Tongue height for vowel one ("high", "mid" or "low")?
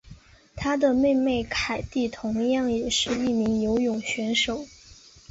low